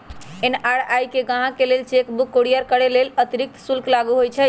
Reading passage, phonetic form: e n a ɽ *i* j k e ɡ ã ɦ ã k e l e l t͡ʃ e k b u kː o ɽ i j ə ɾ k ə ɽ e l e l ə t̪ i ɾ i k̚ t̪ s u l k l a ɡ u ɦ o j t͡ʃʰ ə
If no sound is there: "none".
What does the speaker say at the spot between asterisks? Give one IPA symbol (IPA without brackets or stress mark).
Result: a